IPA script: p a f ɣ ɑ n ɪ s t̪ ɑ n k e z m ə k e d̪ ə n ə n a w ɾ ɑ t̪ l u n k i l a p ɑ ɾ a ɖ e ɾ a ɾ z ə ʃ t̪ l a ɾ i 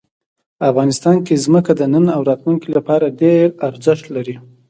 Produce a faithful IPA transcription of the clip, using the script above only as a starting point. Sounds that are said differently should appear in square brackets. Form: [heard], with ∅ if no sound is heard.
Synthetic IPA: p a f ɣ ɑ n ɪ s t̪ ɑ n k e z m ə k [a] d̪ ə n ə n a w ɾ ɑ t̪ l u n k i l a p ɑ ɾ a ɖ e ɾ a ɾ z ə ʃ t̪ l a ɾ i